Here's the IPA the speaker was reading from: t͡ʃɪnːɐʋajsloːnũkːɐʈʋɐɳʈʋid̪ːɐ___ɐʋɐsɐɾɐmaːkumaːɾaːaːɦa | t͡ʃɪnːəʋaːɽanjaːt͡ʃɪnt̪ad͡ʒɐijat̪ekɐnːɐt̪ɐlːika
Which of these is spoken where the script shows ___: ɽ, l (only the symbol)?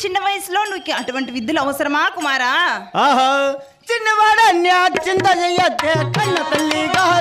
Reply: l